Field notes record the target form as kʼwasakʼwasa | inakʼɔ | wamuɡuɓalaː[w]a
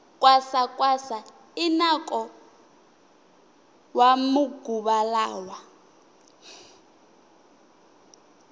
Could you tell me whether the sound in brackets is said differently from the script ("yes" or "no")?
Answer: no